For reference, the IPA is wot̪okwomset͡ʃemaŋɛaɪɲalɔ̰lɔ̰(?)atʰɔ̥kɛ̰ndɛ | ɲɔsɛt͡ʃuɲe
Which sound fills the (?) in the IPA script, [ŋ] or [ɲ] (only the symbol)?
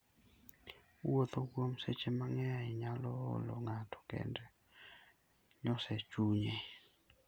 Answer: ŋ